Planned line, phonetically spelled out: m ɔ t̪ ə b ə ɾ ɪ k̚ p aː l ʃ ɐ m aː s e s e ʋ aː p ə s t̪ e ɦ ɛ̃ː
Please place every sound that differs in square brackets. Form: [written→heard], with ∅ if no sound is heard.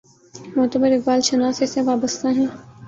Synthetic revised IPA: m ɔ t̪ ə b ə ɾ ɪ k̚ [p→b] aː l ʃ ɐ [m→n] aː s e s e ʋ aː [p→b] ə s t̪ [e→a] ɦ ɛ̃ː